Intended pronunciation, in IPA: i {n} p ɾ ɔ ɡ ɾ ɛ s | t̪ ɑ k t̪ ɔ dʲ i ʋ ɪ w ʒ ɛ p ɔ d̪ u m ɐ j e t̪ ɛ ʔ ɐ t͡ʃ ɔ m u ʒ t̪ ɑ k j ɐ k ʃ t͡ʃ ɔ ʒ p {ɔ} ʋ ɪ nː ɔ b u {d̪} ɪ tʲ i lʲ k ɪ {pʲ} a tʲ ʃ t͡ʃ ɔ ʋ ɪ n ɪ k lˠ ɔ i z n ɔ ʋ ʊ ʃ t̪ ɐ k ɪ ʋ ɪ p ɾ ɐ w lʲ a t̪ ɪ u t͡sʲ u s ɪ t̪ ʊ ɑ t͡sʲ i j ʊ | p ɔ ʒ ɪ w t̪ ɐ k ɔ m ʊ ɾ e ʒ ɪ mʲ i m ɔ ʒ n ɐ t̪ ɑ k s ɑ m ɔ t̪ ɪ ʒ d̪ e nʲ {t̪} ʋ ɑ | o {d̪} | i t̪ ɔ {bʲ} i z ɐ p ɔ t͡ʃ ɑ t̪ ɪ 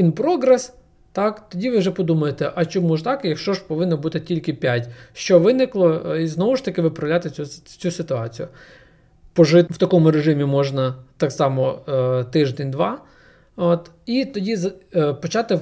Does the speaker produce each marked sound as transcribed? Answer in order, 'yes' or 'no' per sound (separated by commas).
yes, yes, no, yes, no, no, no